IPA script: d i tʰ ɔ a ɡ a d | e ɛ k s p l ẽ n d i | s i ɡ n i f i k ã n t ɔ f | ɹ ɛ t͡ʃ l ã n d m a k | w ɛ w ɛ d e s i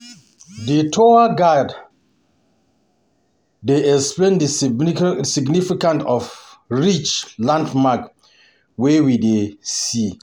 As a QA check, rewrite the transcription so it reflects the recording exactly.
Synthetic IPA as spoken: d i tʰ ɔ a ɡ a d | e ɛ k s p l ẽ n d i | s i ɡ n i f i k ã n t ɔ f | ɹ i t͡ʃ l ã n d m a k | w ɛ w i d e s i